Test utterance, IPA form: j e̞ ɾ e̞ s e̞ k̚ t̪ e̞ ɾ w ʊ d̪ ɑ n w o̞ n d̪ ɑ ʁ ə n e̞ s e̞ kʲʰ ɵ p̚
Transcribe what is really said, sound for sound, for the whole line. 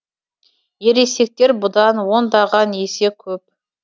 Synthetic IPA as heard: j e̞ ɾ e̞ s e̞ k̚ t̪ e̞ ɾ b ʊ d̪ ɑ n w o̞ n d̪ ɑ ʁ ɑ n e̞ s e̞ kʲʰ ɵ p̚